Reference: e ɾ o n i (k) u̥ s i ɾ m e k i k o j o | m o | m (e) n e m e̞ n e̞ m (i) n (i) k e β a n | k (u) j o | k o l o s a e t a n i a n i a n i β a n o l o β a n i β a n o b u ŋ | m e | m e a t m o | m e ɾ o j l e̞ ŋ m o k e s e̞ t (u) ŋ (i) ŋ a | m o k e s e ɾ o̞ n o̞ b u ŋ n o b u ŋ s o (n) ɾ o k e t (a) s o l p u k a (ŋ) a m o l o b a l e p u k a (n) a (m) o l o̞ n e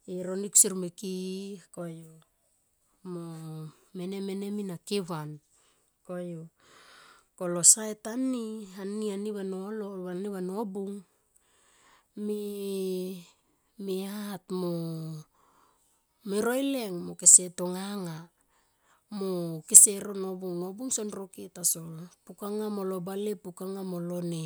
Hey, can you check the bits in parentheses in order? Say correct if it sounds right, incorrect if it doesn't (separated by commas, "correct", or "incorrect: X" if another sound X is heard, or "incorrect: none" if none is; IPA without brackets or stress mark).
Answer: correct, correct, correct, incorrect: a, incorrect: o, incorrect: o, incorrect: a, correct, correct, correct, incorrect: ŋ, correct